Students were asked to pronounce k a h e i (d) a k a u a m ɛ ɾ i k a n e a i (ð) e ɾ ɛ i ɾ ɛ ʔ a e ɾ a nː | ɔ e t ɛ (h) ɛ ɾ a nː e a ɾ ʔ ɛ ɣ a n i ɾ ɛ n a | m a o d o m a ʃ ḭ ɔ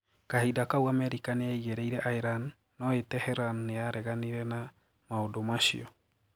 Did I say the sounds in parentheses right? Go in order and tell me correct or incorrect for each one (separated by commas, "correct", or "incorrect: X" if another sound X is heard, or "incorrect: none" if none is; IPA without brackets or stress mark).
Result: correct, incorrect: ɣ, correct